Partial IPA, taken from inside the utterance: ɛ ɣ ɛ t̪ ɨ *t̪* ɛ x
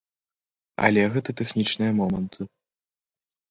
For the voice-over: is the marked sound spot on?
yes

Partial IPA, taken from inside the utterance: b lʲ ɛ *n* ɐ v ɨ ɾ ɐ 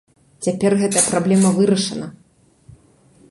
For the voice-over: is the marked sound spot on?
no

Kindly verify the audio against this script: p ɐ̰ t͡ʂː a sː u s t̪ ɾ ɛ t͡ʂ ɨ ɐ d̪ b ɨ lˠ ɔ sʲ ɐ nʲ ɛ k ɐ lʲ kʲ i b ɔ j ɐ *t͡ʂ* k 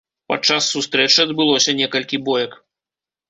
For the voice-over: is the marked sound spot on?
no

